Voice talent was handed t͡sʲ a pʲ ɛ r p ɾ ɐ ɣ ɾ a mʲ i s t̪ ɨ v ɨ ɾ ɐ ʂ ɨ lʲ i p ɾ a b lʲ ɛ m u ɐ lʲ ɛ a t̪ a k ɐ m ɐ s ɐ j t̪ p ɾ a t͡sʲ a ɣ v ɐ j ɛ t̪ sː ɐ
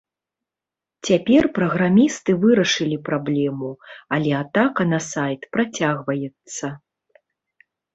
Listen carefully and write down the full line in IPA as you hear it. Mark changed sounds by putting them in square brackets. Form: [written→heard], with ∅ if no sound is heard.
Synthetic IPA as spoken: t͡sʲ a pʲ ɛ r p ɾ ɐ ɣ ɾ a mʲ i s t̪ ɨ v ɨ ɾ ɐ ʂ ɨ lʲ i p ɾ a b lʲ ɛ m u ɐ lʲ ɛ a t̪ a k ɐ [m→n] ɐ s [ɐ→a] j t̪ p ɾ a t͡sʲ a ɣ v ɐ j ɛ t̪ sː ɐ